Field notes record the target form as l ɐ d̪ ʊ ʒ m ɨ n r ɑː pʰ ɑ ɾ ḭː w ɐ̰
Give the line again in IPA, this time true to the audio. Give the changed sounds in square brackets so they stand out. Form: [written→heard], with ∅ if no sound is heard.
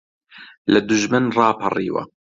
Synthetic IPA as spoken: l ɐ d̪ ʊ ʒ m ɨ n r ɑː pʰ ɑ [ɾ→r] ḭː w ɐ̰